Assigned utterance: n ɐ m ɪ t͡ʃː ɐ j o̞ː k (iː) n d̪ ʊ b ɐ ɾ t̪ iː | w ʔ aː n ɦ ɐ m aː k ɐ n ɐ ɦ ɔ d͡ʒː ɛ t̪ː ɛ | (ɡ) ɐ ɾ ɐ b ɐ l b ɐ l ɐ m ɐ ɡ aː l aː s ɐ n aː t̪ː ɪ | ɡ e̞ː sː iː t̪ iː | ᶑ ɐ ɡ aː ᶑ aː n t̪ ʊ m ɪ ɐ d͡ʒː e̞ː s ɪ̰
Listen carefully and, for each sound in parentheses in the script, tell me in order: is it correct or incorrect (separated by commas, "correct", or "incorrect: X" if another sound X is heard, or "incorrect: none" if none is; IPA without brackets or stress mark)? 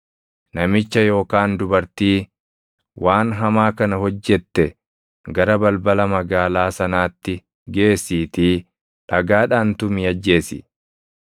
incorrect: aː, correct